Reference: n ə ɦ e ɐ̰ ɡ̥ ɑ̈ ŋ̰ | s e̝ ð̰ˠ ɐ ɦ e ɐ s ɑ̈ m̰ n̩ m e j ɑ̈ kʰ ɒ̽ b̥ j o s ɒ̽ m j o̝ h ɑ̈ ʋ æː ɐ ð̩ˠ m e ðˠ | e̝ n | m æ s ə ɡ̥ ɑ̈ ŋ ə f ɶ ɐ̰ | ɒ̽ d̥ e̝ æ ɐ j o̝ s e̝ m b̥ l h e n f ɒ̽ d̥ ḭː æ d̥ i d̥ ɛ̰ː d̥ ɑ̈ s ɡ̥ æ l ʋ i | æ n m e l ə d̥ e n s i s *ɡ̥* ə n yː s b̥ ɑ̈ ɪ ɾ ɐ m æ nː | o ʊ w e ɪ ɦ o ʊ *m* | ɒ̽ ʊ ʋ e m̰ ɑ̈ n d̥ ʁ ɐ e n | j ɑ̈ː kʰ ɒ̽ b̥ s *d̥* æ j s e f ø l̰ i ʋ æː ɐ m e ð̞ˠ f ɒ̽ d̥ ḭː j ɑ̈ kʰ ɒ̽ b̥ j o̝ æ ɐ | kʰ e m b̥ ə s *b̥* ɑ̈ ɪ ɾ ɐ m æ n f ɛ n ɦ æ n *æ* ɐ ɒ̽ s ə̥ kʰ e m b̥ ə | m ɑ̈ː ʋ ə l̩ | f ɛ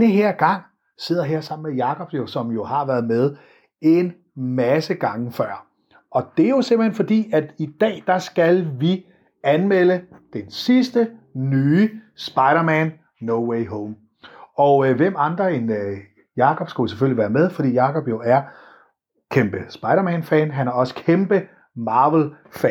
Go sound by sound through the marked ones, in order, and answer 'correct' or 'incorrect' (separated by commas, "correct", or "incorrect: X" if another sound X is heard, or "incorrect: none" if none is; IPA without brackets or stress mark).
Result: incorrect: d̥, correct, incorrect: ɡ̥, correct, correct